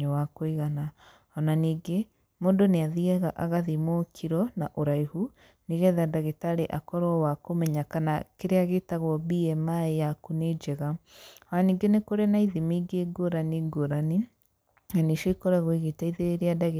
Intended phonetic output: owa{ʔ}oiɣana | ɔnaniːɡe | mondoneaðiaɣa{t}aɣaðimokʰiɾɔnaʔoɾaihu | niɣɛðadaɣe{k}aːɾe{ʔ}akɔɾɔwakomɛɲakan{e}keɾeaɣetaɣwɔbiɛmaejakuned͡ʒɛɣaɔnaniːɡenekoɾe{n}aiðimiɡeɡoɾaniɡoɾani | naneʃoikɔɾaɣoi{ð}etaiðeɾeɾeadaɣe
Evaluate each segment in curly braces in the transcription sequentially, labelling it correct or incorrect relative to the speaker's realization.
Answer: incorrect: k, incorrect: ʔ, incorrect: t, correct, incorrect: a, correct, incorrect: ɣ

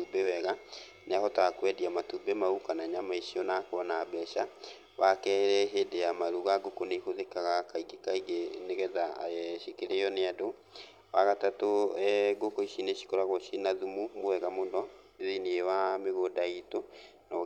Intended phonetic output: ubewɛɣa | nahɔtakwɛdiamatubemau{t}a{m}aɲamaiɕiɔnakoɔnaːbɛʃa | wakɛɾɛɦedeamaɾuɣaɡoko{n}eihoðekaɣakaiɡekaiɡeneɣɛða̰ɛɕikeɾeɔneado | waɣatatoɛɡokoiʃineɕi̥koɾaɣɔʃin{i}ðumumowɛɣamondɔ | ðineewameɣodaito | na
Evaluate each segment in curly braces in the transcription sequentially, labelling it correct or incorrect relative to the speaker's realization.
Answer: incorrect: k, incorrect: n, correct, incorrect: a

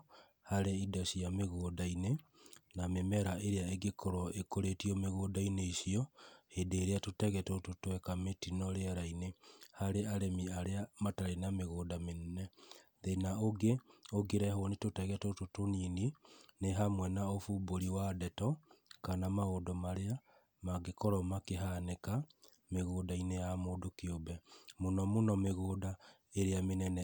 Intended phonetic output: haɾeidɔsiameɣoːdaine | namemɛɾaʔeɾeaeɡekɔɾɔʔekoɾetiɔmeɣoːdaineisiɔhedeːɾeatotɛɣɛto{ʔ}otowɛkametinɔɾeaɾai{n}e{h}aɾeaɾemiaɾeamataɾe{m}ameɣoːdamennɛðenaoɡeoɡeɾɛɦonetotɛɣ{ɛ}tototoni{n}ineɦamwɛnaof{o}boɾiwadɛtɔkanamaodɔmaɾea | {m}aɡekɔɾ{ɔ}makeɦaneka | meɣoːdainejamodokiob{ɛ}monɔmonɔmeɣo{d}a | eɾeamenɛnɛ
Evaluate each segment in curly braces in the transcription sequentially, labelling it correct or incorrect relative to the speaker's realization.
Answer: incorrect: t, correct, correct, incorrect: n, correct, correct, incorrect: u, correct, correct, correct, correct

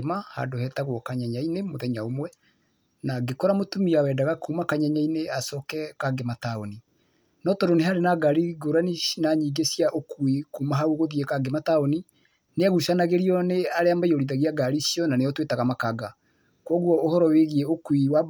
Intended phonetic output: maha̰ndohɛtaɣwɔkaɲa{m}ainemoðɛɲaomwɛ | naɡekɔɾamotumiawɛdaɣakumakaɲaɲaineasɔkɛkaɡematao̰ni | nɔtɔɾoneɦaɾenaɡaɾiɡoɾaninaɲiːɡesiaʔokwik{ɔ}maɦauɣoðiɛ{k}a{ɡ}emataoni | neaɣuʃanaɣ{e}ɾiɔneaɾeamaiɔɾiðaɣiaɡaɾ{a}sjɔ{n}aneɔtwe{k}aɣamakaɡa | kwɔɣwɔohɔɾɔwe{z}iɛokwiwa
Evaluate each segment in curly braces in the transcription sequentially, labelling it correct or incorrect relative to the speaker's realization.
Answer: incorrect: ɲ, incorrect: u, correct, correct, correct, incorrect: i, correct, incorrect: t, incorrect: ɣ

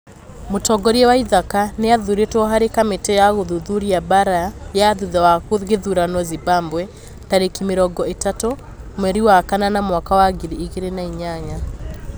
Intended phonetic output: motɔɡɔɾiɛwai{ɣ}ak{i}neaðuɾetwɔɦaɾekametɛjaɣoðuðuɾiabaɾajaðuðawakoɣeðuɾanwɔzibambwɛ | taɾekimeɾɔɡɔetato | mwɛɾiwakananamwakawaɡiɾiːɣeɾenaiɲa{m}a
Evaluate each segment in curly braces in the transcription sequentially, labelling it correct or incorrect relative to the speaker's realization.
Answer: incorrect: ð, incorrect: a, incorrect: ɲ

